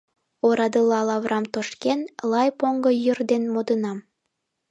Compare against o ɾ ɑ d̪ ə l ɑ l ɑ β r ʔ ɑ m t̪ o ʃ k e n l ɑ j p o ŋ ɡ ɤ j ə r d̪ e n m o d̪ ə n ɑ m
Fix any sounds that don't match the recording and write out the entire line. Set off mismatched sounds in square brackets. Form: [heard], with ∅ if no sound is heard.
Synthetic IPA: o ɾ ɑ d̪ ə l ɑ l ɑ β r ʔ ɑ m t̪ o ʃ k e n l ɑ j p o ŋ ɡ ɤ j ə r d̪ e n m o d̪ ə n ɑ m